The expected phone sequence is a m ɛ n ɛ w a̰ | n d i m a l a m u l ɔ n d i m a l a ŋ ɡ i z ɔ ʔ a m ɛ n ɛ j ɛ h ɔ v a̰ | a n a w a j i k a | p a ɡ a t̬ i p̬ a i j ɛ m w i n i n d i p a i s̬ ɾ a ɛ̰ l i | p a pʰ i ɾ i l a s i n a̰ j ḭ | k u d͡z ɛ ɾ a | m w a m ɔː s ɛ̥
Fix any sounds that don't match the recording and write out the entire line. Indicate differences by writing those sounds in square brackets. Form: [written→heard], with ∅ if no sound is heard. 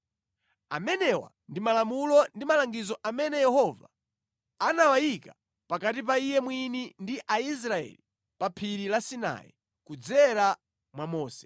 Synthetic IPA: a m ɛ n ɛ w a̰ | n d i m a l a m u l ɔ n d i m a l a ŋ ɡ i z ɔ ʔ a m ɛ n ɛ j ɛ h ɔ v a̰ | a n a w a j i k a | p a [ɡ→k] a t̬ i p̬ a i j ɛ m w i n i n d i [p→ʔ] a i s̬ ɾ a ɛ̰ l i | p a pʰ i ɾ i l a s i n a̰ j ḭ | k u d͡z ɛ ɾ a | m w a m ɔː s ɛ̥